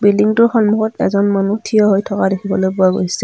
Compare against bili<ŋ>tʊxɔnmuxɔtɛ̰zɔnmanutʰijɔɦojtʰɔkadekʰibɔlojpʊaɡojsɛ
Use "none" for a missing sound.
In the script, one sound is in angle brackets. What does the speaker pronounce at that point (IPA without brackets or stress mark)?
ŋ